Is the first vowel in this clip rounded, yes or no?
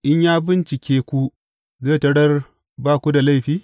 no